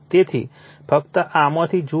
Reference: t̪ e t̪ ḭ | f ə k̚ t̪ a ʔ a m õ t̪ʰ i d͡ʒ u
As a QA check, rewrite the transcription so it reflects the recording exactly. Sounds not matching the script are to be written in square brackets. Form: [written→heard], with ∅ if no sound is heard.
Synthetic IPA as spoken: t̪ e [t̪→t̪ʰ] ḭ | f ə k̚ t̪ [a→ə] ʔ a m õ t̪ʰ i d͡ʒ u

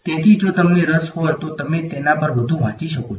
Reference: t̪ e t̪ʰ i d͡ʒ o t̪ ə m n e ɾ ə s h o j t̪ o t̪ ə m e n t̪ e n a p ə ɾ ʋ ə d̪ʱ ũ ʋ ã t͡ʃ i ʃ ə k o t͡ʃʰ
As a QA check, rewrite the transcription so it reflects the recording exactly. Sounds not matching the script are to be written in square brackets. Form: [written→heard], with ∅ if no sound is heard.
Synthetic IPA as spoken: t̪ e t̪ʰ i d͡ʒ o t̪ ə m n e ɾ ə s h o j t̪ o t̪ ə m e [n→∅] t̪ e n a p ə ɾ ʋ ə d̪ʱ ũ ʋ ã t͡ʃ i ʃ ə k o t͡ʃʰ

